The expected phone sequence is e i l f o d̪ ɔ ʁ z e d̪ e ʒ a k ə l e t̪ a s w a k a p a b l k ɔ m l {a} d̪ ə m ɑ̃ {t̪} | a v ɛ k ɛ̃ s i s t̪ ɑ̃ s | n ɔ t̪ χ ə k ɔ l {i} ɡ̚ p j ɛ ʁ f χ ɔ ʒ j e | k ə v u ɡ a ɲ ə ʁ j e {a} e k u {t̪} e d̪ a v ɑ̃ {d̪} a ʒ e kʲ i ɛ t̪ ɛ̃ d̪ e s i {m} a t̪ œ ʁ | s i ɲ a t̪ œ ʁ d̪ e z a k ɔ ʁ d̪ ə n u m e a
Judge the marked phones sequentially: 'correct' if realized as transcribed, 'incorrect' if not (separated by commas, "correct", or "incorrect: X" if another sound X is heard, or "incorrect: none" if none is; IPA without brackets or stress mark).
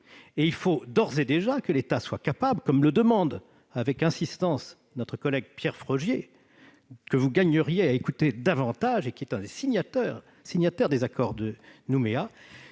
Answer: incorrect: ə, incorrect: d̪, incorrect: ɛ, correct, correct, incorrect: t̪, incorrect: ɲ